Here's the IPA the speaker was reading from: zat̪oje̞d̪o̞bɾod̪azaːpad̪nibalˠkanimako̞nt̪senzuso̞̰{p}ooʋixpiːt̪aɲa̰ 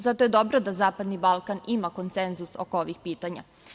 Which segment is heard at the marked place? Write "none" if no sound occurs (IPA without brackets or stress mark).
k